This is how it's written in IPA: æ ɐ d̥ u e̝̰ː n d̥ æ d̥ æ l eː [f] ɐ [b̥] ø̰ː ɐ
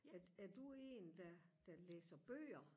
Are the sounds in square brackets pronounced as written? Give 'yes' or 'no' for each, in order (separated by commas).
no, yes